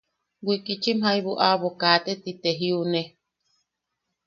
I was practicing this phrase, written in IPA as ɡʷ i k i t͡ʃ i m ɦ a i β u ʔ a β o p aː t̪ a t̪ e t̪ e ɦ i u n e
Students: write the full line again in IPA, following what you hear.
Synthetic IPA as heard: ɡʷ i k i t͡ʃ i m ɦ a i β u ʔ a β o k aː t̪ e t̪ i t̪ e ɦ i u n e